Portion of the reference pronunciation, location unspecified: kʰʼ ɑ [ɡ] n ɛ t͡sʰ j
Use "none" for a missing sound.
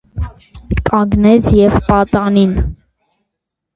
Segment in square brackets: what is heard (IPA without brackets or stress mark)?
ɡ